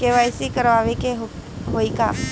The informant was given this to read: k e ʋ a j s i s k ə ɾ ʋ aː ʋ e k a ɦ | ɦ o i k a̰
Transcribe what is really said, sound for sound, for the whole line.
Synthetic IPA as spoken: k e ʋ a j s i k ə ɾ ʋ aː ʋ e k e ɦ | ɦ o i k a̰